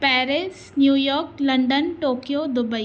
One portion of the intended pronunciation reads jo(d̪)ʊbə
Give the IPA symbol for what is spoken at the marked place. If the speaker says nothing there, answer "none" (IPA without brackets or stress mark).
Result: d̪